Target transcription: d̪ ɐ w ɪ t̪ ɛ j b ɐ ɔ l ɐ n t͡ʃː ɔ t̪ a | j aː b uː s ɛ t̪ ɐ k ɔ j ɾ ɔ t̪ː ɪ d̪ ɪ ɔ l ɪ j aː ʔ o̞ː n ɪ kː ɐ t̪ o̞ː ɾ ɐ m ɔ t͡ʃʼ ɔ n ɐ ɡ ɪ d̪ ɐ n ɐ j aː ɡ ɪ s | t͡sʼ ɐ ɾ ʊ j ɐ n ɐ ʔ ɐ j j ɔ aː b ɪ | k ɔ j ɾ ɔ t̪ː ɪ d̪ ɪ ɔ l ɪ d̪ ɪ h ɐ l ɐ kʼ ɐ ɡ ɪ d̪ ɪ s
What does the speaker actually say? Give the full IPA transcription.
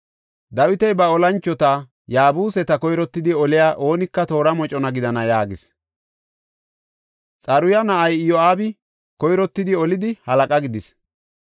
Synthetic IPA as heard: d̪ ɐ w ɪ t̪ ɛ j b ɐ ɔ l ɐ n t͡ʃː ɔ t̪ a | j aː b uː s ɛ t̪ ɐ k ɔ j ɾ ɔ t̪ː ɪ d̪ ɪ ɔ l ɪ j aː ʔ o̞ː n ɪ kː ɐ t̪ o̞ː ɾ ɐ m ɔ t͡ʃʼ ɔ n ɐ ɡ ɪ d̪ ɐ n ɐ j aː ɡ ɪ s | t͡sʼ ɐ ɾ ʊ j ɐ n ɐ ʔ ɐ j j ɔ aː b ɪ | k ɔ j ɾ ɔ t̪ː ɪ d̪ ɪ ɔ l ɪ d̪ ɪ h ɐ l ɐ kʼ ɐ ɡ ɪ d̪ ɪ s